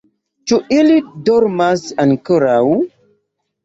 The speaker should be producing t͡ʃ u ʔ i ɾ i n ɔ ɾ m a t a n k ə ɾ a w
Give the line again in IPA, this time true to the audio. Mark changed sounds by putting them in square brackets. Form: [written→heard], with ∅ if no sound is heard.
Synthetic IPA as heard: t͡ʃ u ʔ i [ɾ→l] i [n→d] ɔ ɾ m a [t→s] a n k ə ɾ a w